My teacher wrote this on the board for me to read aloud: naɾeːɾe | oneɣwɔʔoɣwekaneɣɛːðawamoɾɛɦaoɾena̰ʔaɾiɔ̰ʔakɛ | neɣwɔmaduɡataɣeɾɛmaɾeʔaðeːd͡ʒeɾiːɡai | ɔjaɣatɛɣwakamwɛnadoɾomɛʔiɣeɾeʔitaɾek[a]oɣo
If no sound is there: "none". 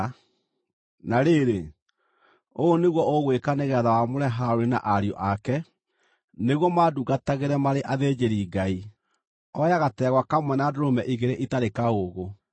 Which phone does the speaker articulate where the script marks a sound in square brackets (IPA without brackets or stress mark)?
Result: a